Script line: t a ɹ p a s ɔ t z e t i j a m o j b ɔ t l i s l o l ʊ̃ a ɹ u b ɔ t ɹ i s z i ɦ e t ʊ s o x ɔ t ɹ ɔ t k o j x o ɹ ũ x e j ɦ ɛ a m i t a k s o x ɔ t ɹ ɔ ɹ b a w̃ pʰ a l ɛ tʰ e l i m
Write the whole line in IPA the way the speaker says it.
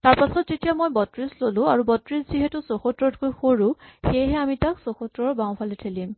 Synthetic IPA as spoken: t a ɹ p a s ɔ t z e t i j a m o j b ɔ t ɹ i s l o l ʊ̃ a ɹ u b ɔ t ɹ i s z i ɦ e t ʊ s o x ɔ t ɹ ɔ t k o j x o ɹ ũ x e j ɦ ɛ a m i t a k s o x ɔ t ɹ ɔ ɹ b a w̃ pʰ a l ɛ tʰ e l i m